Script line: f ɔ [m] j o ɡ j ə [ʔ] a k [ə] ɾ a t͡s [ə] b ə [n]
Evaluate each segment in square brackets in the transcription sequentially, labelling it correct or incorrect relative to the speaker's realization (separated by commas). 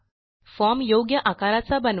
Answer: correct, correct, incorrect, incorrect, correct